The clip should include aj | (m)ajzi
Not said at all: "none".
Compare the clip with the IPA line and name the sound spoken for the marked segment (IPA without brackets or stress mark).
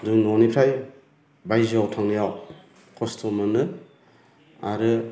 b